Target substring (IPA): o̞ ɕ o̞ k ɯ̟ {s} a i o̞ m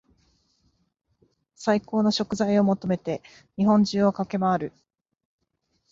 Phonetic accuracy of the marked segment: incorrect: z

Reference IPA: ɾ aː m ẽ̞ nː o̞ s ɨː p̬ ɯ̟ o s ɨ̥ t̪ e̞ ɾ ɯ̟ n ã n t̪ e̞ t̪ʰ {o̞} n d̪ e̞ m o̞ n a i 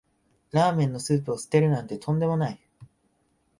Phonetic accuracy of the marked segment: incorrect: õ̞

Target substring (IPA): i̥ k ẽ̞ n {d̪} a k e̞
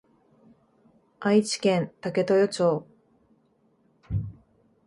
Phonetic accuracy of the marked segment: incorrect: t̪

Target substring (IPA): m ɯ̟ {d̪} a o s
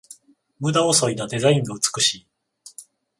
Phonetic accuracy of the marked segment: correct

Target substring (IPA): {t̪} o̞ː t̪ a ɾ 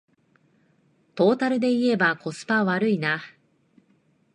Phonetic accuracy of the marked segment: correct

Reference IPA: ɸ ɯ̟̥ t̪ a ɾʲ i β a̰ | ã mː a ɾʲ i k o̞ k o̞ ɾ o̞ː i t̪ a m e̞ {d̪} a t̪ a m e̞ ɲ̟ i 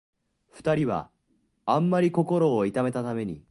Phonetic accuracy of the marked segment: incorrect: t̪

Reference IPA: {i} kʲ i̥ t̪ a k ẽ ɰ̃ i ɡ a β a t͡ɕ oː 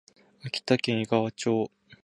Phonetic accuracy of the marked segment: incorrect: a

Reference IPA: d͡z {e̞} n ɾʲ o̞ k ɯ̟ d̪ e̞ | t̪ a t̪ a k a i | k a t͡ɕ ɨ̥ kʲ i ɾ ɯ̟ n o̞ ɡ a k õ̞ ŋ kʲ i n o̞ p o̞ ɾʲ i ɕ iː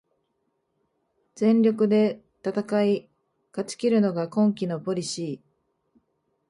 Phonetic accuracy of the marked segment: incorrect: ẽ̞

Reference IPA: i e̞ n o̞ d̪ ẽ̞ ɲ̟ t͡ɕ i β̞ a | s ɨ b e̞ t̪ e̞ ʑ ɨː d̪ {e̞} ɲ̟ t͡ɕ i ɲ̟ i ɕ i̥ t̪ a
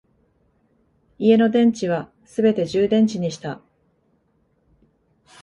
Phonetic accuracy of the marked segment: incorrect: ẽ̞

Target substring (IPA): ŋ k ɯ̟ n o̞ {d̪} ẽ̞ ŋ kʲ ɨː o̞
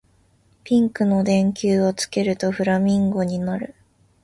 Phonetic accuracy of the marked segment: correct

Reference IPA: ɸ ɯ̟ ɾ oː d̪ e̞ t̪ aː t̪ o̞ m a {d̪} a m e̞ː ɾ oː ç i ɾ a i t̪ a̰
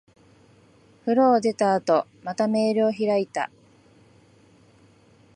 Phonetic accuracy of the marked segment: incorrect: t̪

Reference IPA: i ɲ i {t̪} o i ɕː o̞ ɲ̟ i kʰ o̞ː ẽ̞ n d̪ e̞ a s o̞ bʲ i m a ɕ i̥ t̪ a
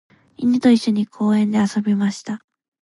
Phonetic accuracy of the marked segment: correct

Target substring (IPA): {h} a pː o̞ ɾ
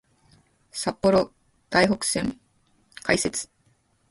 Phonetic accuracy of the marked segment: incorrect: s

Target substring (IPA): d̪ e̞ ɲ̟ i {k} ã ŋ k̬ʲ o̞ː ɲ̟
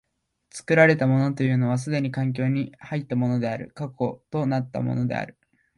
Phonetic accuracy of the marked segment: correct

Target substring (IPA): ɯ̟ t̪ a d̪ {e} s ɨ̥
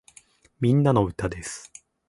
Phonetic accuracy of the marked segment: correct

